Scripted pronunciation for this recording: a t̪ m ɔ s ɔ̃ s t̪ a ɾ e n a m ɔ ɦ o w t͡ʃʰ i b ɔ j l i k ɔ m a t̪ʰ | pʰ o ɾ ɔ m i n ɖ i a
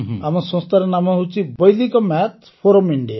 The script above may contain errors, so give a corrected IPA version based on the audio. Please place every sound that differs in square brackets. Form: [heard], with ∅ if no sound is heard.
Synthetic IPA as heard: a [∅] m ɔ s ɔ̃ s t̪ a ɾ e n a m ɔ ɦ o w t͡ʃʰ i b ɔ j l i k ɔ m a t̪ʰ | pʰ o ɾ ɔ m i [ɳ] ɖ i a

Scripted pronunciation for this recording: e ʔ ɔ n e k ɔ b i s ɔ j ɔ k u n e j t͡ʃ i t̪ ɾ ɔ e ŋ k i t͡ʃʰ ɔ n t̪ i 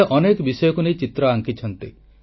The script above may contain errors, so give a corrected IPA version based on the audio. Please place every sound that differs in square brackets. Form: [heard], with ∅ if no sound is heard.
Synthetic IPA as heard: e ʔ ɔ n e k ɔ b i s ɔ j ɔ k u n e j t͡ʃ i t̪ ɾ ɔ [a] ŋ k i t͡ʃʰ ɔ n t̪ i

